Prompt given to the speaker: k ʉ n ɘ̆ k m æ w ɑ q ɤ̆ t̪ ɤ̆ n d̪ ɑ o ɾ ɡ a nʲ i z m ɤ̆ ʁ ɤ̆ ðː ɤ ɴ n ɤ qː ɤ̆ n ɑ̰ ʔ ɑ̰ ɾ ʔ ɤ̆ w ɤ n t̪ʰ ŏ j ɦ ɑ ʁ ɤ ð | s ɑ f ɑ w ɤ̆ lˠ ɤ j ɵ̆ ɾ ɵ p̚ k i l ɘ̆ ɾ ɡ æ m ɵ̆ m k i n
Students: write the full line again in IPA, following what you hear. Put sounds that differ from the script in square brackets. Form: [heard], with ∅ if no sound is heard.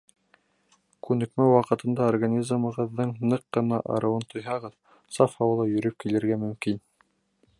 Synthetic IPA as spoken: k ʉ n ɘ̆ k m æ w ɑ q ɤ̆ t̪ ɤ̆ n d̪ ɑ o [r] ɡ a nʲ i z m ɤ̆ ʁ ɤ̆ ðː ɤ ɴ n ɤ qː ɤ̆ n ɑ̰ ʔ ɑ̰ ɾ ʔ ɤ̆ w ɤ n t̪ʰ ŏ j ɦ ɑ ʁ ɤ ð | s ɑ f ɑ w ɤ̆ lˠ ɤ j ɵ̆ ɾ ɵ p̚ k i l ɘ̆ ɾ ɡ æ m ɵ̆ m k i n